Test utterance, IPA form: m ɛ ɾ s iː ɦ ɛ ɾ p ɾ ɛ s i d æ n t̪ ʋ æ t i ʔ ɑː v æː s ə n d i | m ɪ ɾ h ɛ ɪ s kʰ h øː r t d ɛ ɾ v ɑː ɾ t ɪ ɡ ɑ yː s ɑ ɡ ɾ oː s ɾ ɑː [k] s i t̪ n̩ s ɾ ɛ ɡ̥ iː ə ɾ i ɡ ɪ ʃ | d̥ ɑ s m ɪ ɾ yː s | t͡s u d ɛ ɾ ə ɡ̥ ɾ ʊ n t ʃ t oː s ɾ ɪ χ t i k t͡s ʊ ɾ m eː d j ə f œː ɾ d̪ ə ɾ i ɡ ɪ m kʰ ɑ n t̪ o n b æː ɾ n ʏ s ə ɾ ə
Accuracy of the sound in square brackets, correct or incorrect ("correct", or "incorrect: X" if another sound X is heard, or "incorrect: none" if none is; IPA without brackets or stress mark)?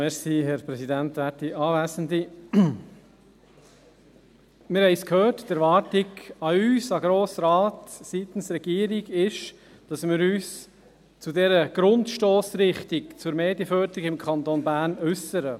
incorrect: t